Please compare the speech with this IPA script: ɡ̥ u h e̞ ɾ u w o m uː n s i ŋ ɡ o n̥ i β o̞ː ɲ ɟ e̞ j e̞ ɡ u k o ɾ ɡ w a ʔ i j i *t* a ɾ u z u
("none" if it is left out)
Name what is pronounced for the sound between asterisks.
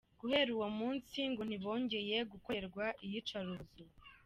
t͡ʃ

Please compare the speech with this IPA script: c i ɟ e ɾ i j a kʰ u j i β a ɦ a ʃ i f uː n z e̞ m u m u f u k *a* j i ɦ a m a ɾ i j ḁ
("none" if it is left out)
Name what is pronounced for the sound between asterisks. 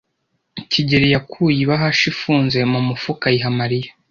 a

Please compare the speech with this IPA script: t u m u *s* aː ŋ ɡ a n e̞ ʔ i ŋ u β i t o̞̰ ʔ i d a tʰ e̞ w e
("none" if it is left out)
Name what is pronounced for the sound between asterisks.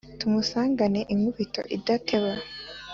s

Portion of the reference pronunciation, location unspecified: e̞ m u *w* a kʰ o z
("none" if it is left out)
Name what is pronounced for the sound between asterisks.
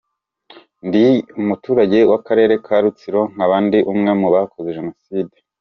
β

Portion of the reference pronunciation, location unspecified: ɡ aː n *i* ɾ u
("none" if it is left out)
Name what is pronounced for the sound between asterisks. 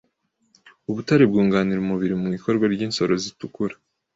i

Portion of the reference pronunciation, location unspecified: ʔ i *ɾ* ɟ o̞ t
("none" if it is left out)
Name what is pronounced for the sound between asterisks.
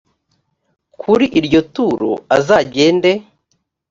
ɾ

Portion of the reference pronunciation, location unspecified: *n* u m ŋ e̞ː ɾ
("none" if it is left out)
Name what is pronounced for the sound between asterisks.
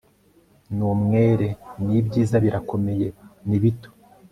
n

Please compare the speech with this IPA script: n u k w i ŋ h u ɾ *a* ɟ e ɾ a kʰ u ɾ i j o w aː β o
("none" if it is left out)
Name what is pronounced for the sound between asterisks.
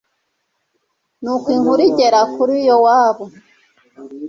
i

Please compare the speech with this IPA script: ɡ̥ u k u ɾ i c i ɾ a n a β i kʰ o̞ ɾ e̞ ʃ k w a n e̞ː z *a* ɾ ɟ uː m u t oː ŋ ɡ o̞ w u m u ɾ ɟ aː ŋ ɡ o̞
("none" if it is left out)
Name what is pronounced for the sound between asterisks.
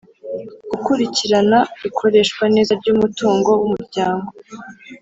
a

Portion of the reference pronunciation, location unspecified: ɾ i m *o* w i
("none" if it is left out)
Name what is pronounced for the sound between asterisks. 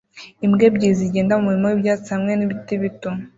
o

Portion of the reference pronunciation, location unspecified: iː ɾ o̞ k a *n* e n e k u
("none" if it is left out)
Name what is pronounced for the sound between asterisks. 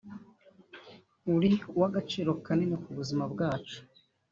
n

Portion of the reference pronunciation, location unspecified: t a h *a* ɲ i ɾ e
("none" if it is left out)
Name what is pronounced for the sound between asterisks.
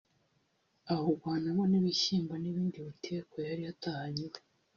a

